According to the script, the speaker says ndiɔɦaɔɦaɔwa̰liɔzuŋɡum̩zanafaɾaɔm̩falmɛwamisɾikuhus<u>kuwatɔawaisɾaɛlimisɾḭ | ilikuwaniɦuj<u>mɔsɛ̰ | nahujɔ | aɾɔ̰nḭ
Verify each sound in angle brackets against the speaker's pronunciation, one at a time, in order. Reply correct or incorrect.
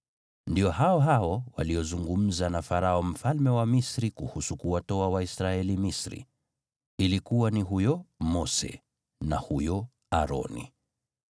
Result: correct, incorrect: ɔ

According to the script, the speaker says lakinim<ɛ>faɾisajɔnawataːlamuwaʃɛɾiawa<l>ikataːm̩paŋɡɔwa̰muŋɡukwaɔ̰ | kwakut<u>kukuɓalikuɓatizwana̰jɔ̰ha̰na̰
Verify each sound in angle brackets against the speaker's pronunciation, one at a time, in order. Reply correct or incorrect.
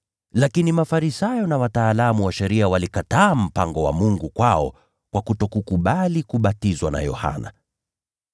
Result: incorrect: a, correct, incorrect: ɔ

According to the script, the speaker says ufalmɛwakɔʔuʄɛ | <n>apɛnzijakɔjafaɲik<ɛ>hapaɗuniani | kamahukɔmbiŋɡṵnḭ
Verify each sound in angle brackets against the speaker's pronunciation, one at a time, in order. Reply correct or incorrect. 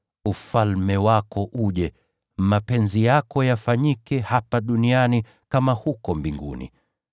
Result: incorrect: m, correct

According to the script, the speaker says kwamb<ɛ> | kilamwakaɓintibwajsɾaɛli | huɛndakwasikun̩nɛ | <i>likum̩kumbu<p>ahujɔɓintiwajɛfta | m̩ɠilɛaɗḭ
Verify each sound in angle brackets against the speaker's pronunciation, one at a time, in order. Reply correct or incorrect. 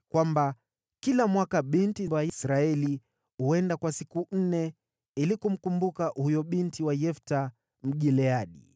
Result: incorrect: a, correct, incorrect: k

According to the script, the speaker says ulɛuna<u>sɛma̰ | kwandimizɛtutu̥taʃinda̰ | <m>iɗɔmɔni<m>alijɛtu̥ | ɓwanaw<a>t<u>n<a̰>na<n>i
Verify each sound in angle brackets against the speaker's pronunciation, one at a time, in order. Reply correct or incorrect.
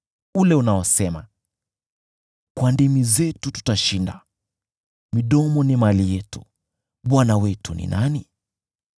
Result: incorrect: ɔ, correct, correct, incorrect: ɛ, correct, incorrect: ḭ, correct

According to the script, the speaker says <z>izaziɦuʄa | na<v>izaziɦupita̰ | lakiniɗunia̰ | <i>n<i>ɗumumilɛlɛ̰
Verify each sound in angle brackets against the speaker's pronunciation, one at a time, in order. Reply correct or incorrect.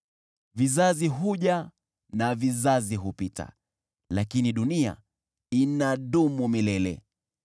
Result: incorrect: v, correct, correct, incorrect: a

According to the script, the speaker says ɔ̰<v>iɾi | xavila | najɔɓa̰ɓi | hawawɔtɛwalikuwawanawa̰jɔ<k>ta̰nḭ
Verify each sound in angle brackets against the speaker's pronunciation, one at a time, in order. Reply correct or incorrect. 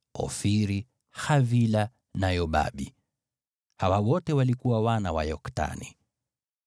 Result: incorrect: f, correct

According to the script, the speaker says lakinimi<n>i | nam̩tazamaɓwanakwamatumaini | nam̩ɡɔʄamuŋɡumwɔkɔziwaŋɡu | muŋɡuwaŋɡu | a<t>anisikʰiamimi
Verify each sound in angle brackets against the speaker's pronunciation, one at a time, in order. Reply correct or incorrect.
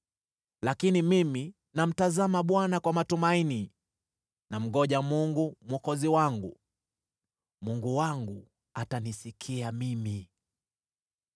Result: incorrect: m, correct

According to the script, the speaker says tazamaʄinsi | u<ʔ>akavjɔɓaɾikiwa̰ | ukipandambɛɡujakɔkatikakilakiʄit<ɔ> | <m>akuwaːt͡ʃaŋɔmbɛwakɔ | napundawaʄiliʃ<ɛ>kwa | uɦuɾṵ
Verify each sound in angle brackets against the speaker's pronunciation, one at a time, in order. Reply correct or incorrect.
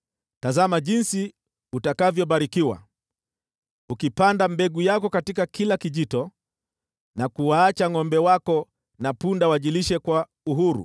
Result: incorrect: t, correct, incorrect: n, correct

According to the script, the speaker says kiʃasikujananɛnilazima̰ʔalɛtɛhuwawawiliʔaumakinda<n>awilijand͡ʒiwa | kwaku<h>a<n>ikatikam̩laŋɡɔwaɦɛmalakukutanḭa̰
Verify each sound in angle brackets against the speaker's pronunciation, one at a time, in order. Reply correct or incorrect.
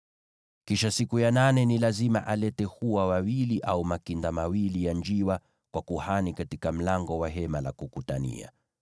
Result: incorrect: m, correct, correct

